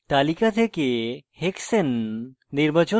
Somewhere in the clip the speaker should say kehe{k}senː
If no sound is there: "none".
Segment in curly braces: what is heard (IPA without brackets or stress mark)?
k